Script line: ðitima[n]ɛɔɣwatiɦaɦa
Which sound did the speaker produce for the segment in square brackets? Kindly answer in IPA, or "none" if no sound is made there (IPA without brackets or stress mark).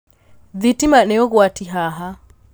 n